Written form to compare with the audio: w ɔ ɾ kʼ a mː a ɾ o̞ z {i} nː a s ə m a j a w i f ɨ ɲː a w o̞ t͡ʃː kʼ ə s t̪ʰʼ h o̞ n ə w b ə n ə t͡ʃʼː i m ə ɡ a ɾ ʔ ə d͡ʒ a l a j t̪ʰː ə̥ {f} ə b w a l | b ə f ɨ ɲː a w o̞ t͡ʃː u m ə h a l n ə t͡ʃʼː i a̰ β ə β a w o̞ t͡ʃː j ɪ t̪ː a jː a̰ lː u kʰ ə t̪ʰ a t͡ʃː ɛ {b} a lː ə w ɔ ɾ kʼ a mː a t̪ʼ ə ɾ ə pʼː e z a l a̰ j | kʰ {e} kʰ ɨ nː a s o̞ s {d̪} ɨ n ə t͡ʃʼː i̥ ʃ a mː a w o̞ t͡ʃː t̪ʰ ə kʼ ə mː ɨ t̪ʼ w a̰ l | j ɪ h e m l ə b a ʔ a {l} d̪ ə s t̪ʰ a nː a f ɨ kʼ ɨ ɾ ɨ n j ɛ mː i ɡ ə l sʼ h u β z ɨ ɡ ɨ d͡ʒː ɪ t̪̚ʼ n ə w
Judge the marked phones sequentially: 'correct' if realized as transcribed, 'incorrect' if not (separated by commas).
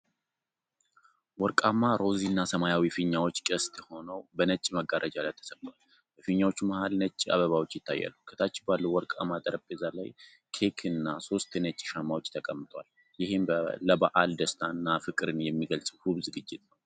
correct, incorrect, correct, correct, incorrect, correct